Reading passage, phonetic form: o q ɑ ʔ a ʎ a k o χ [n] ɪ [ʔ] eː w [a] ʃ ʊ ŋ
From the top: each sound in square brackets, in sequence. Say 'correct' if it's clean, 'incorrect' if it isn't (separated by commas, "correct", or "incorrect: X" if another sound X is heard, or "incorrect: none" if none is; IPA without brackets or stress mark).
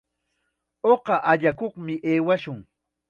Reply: incorrect: m, correct, correct